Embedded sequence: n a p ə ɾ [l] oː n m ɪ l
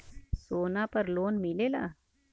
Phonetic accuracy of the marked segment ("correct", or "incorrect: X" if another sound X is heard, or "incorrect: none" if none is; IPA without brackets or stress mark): correct